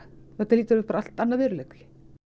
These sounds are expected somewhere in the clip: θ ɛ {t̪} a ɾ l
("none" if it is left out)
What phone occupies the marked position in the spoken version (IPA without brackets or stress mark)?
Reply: t̪